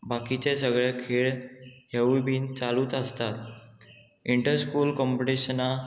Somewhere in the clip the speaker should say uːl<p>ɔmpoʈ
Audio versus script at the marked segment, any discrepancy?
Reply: yes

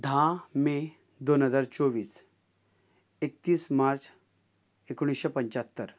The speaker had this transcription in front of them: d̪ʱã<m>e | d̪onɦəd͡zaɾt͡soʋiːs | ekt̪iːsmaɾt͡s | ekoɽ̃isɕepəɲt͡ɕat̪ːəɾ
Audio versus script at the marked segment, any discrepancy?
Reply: no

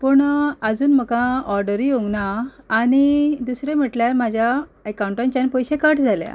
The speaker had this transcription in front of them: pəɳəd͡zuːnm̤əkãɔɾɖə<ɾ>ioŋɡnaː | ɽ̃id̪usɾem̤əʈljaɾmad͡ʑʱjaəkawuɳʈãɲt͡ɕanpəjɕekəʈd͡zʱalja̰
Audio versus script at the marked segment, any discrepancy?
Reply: no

